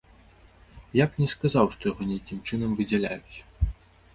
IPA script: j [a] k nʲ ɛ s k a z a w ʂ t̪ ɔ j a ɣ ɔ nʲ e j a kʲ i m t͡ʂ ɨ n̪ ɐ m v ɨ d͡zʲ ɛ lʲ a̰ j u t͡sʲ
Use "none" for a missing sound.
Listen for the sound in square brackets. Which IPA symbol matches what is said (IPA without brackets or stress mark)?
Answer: a